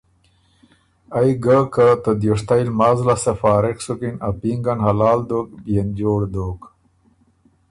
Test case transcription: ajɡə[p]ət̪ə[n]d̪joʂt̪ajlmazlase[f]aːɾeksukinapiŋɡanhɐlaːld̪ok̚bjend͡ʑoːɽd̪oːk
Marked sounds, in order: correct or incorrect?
incorrect: k, incorrect: none, correct

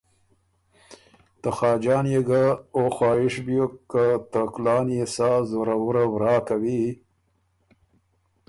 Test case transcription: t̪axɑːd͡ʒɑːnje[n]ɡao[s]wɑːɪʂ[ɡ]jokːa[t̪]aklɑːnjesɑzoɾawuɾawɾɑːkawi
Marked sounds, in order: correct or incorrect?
incorrect: none, incorrect: x, incorrect: b, correct

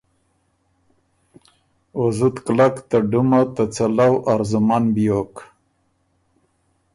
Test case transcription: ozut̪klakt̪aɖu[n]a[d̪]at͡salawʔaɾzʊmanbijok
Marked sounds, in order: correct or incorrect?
incorrect: m, incorrect: t̪

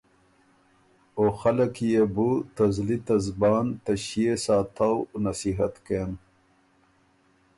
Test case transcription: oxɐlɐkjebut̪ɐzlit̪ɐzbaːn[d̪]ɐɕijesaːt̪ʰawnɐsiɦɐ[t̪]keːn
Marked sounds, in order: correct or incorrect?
incorrect: t̪, correct

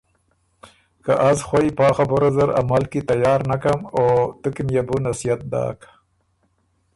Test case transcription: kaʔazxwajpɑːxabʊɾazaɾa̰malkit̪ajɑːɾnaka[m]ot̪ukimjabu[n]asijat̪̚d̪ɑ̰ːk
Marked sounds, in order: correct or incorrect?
correct, correct

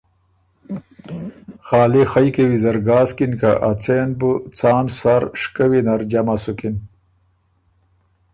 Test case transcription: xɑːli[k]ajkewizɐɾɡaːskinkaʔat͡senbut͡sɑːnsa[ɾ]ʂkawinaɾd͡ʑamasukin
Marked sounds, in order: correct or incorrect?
incorrect: x, correct

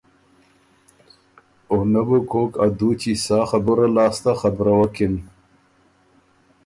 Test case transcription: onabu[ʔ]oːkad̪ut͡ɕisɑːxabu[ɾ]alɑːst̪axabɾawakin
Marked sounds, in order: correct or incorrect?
incorrect: k, correct

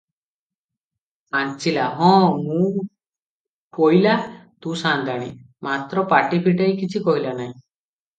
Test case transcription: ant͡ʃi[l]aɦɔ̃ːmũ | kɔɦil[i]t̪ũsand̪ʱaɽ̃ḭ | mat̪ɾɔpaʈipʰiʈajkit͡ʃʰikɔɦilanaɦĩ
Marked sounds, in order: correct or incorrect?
correct, incorrect: a

